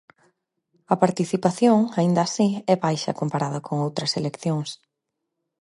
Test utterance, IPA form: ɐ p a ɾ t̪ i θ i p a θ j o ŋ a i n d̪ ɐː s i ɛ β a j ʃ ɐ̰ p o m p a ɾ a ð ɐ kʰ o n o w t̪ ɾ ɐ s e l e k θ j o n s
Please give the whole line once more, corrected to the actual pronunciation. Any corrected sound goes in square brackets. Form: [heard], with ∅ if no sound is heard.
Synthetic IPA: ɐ p a ɾ t̪ i θ i p a θ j o ŋ a i n d̪ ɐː s i ɛ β a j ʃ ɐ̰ [k] o m p a ɾ a ð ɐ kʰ o [ŋ] o w t̪ ɾ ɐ s e l e k θ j o [ŋ] s